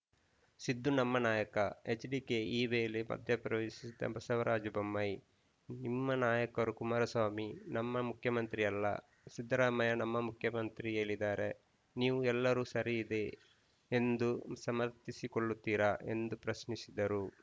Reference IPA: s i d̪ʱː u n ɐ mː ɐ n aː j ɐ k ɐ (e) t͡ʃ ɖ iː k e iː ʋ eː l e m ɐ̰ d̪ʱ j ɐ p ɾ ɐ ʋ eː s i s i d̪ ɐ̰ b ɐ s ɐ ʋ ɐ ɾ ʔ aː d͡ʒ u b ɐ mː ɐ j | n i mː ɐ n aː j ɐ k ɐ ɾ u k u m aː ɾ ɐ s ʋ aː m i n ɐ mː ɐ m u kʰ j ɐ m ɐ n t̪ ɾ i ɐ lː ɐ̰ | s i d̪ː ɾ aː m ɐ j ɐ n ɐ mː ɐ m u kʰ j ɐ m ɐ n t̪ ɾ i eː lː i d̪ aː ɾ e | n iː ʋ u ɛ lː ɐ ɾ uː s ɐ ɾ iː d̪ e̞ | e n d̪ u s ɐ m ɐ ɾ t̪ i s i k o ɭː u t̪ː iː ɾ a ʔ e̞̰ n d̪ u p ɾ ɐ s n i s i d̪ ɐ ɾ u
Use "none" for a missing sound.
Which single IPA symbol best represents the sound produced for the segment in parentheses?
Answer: e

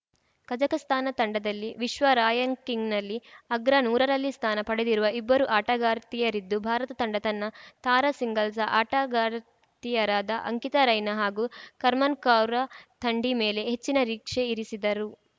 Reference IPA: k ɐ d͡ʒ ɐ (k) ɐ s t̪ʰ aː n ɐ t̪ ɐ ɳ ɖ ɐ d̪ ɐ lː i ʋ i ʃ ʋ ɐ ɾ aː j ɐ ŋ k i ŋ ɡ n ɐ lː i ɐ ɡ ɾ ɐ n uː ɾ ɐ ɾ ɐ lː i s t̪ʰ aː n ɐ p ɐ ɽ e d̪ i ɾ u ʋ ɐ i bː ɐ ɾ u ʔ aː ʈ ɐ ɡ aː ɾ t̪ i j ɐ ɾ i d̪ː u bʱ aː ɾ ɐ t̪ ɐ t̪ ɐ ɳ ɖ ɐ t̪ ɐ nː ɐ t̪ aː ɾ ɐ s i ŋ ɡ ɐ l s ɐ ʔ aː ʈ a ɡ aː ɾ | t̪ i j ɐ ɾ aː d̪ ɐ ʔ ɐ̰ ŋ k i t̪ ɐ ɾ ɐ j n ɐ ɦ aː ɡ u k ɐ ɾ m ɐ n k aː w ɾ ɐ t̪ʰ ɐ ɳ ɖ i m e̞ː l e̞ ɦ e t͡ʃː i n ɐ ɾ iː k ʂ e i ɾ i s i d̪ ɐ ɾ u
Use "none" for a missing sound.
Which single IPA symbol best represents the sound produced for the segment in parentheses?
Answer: k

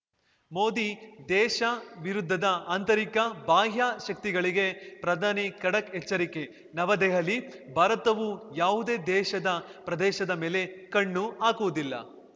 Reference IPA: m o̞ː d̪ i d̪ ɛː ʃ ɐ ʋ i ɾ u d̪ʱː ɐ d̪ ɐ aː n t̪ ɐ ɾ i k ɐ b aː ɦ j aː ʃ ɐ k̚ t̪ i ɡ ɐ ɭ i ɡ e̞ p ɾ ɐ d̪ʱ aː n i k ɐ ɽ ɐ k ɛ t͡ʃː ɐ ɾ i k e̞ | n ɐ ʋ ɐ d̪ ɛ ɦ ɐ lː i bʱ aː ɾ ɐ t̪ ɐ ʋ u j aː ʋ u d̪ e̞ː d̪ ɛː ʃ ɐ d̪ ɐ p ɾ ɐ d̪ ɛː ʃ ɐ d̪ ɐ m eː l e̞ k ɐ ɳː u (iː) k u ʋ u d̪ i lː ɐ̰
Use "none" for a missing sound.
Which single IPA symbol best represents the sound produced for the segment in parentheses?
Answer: aː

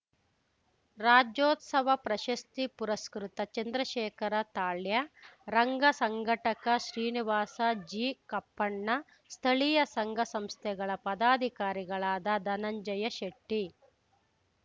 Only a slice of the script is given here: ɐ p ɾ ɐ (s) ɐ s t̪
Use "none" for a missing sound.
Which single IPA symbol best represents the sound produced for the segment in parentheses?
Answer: ʃ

